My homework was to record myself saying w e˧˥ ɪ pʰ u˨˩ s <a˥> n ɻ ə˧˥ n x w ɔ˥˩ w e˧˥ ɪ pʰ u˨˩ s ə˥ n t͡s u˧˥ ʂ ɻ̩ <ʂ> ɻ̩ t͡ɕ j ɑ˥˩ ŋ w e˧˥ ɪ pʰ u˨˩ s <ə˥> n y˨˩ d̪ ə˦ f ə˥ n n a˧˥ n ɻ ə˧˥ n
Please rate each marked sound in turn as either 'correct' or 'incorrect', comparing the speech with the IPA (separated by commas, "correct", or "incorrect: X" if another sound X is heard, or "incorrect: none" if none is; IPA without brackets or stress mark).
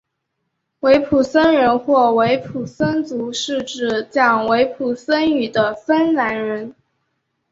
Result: incorrect: ə˥, incorrect: ʈ͡ʂ, correct